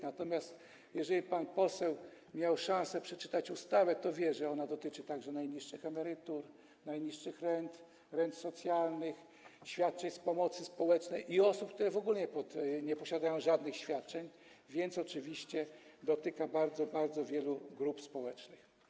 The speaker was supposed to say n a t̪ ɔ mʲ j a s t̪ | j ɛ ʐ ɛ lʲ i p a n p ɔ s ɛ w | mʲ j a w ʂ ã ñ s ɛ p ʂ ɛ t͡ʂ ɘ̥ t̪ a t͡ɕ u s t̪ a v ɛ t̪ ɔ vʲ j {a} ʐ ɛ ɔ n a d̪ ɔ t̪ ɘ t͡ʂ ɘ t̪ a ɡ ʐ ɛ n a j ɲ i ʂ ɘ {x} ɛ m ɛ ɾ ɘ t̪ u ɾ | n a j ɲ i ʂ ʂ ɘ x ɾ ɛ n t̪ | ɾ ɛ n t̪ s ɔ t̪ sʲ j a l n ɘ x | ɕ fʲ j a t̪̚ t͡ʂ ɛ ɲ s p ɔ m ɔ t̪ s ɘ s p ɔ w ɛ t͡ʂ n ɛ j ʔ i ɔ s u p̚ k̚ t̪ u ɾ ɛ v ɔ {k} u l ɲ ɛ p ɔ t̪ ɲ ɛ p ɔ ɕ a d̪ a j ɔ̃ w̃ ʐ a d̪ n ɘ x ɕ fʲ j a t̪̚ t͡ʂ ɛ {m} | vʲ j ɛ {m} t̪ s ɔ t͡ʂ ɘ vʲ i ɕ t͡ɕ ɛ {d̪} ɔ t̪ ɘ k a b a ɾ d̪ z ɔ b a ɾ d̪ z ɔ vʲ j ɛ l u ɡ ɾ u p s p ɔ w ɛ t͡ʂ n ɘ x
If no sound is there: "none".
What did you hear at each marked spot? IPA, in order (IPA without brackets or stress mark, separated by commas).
ɛ, x, ɡ, ɲ, n, d̪